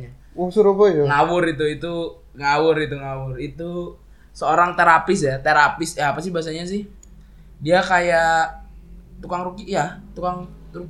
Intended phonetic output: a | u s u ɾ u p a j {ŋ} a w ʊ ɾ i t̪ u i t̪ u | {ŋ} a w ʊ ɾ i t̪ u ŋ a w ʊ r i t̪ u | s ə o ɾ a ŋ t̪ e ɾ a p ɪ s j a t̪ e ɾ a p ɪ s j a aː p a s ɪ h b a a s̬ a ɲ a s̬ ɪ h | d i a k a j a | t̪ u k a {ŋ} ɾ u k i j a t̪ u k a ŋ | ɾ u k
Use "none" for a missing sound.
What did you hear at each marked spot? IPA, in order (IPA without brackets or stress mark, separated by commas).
ŋ, ŋ, ŋ